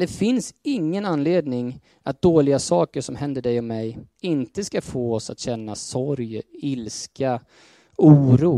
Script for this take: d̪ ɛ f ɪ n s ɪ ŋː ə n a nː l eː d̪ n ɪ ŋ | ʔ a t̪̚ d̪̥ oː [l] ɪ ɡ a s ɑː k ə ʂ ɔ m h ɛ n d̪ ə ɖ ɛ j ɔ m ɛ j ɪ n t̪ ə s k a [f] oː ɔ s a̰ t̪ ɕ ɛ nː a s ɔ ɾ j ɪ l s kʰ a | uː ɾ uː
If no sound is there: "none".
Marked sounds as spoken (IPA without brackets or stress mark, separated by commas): l, f